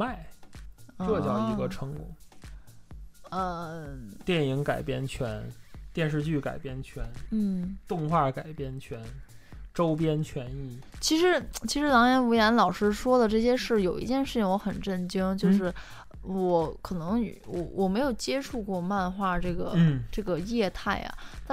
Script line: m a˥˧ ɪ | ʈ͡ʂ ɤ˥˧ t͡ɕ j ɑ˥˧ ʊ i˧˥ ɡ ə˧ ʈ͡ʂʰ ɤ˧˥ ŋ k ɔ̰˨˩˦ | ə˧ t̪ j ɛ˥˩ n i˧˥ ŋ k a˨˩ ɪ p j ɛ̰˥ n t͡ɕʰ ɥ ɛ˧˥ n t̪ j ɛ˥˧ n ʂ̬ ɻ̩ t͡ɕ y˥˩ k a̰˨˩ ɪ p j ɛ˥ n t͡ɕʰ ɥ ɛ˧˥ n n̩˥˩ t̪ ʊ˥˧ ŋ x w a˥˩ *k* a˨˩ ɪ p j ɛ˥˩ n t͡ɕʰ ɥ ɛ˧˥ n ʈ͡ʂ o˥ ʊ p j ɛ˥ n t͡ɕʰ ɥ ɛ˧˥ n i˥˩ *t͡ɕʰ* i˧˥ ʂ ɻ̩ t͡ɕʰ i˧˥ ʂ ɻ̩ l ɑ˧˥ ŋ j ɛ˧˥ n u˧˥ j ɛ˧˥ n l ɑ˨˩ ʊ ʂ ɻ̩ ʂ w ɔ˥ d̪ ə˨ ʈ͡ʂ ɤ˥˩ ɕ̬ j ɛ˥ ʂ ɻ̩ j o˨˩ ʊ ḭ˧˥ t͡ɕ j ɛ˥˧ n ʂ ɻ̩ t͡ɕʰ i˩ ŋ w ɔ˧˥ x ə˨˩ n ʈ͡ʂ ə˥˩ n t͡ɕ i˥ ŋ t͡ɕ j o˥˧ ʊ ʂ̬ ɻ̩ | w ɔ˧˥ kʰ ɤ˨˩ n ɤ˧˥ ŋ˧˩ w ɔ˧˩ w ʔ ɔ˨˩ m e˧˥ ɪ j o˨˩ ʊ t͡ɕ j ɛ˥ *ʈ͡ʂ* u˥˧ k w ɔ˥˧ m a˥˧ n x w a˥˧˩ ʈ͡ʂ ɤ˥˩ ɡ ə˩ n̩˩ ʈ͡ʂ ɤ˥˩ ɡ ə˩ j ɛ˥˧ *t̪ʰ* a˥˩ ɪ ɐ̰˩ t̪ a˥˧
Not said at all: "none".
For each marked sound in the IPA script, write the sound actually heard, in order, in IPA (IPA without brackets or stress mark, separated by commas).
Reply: k, t͡ɕʰ, ʈ͡ʂʰ, t̪ʰ